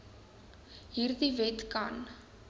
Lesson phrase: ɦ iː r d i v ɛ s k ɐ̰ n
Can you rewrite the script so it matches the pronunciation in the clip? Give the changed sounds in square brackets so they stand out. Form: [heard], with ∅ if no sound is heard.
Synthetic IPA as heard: ɦ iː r d i v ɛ [t] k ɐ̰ n